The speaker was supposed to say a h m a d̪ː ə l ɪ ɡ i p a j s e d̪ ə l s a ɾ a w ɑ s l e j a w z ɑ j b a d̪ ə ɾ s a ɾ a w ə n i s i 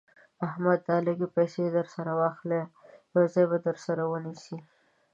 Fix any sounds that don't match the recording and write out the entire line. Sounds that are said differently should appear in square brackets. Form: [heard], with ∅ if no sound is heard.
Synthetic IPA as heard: a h m a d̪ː [ɑ] l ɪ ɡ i p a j s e d̪ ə [ɾ] s a ɾ a w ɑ [x] l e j a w z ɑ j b a d̪ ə ɾ s a ɾ a w ə n i s i